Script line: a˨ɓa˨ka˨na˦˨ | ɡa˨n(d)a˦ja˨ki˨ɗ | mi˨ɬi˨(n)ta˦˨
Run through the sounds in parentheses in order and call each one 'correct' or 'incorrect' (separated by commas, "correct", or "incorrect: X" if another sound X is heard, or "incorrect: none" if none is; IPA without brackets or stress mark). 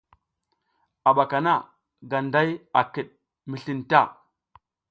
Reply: correct, correct